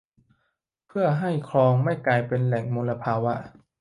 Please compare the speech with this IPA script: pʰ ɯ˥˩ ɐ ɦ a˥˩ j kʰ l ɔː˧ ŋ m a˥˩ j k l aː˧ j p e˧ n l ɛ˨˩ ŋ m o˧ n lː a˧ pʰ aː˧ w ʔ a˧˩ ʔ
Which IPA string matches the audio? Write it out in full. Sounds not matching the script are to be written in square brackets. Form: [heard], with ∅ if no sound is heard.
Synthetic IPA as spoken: pʰ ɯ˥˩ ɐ ɦ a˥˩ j kʰ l ɔː˧ ŋ m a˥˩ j k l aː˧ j p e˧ n l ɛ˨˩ ŋ m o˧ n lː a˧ pʰ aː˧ w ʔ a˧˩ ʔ